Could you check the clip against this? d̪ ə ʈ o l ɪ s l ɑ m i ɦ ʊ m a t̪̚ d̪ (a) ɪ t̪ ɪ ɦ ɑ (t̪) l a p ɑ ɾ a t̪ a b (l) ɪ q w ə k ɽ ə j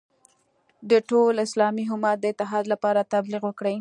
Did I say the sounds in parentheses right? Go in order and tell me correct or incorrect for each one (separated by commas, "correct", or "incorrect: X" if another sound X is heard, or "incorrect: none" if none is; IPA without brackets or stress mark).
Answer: incorrect: ə, incorrect: d̪, correct